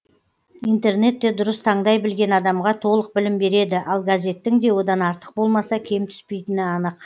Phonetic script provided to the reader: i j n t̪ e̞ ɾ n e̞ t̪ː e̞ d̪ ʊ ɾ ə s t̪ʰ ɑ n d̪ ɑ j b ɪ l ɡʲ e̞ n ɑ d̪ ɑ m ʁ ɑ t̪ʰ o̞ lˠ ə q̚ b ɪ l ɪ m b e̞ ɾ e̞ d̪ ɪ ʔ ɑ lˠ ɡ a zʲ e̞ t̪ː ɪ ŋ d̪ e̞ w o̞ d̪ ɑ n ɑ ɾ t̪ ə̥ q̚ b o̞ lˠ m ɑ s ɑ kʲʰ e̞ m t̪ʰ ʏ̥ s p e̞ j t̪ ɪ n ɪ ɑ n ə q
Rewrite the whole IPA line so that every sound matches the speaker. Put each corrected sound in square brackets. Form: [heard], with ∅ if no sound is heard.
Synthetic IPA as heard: i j n t̪ e̞ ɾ n e̞ t̪ː e̞ d̪ ʊ ɾ ə s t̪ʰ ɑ [ɴ] d̪ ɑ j b ɪ l ɡʲ e̞ n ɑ d̪ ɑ m ʁ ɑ t̪ʰ o̞ lˠ ə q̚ b ɪ l ɪ m b e̞ ɾ e̞ d̪ ɪ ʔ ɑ lˠ ɡ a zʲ e̞ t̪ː ɪ ŋ d̪ e̞ w o̞ d̪ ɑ n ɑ ɾ t̪ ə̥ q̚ b o̞ lˠ m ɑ s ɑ kʲʰ e̞ m t̪ʰ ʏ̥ s p e̞ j t̪ ɪ n ɪ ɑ n ə q